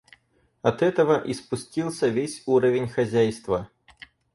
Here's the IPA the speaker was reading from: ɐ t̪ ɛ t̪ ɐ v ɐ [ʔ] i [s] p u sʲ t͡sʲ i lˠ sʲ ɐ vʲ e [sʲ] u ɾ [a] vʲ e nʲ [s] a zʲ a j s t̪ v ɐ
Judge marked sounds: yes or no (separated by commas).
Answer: yes, yes, yes, no, no